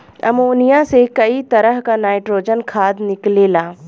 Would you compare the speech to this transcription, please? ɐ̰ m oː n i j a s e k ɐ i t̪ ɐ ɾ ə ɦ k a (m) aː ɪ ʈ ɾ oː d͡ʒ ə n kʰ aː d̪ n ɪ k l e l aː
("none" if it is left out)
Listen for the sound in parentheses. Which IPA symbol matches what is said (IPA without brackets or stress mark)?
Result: n